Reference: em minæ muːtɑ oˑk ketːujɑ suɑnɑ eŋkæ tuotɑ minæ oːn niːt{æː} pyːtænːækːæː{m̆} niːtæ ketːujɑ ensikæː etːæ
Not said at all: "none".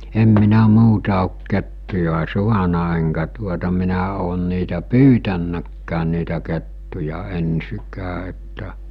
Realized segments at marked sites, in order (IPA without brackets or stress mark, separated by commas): æ, n̆